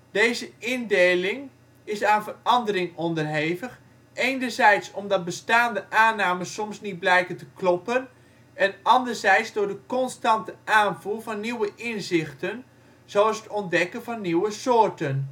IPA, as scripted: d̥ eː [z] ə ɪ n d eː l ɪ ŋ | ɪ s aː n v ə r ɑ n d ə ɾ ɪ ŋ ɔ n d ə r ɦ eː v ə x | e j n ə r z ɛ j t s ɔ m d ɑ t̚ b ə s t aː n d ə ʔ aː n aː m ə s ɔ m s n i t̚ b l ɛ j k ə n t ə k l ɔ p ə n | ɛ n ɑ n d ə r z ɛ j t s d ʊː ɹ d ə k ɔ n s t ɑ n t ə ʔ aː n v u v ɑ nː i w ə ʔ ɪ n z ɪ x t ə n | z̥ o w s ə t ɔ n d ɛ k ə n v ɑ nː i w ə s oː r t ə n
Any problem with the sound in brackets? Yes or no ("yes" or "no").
no